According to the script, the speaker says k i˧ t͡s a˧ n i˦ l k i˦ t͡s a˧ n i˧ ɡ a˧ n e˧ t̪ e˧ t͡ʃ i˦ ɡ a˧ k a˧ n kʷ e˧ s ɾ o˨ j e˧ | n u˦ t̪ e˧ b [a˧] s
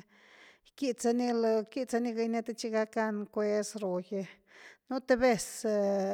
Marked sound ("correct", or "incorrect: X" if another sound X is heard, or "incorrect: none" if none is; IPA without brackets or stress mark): incorrect: e˧